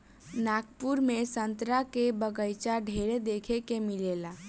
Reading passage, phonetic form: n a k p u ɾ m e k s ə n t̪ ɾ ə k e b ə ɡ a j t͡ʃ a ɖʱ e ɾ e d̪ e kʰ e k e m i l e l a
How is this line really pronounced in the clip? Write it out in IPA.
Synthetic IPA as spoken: n a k p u ɾ m e s ə n t̪ ɾ a k e b ə ɡ ə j t͡ʃ a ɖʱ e ɾ e d̪ e kʰ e k e m i l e l a